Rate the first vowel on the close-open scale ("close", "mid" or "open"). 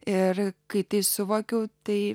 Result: close